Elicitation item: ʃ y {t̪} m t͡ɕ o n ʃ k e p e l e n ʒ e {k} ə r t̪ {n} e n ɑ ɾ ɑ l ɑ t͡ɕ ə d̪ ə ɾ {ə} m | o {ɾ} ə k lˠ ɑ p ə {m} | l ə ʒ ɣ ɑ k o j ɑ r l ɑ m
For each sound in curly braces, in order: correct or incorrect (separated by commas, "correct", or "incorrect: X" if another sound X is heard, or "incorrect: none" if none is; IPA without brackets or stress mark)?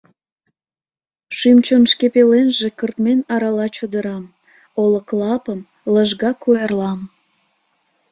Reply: incorrect: none, correct, incorrect: m, incorrect: ɑ, incorrect: l, correct